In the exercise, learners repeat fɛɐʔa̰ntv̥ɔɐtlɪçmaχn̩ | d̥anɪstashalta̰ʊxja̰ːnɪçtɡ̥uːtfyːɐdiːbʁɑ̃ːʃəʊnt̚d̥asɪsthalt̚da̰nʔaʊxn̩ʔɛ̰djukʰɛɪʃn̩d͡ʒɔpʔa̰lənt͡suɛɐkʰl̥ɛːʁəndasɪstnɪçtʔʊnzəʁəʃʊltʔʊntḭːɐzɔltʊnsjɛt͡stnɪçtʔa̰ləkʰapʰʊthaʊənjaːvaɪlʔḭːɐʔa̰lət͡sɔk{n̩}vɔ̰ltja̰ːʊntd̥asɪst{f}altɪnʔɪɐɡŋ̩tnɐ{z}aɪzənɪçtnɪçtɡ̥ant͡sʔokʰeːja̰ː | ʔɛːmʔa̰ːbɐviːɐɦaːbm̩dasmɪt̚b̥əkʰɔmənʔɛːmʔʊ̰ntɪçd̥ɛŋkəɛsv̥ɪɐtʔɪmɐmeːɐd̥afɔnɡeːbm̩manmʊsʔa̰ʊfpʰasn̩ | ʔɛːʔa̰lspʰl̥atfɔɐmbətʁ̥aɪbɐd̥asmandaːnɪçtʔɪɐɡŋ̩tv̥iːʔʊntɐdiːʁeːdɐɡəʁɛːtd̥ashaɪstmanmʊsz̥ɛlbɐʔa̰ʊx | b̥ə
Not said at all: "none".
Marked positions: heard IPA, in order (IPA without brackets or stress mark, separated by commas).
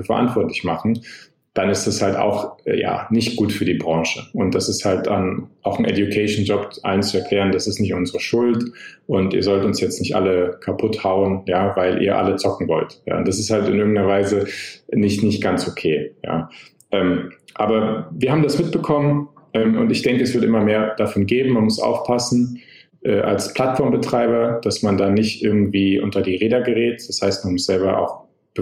ŋ̩, h, v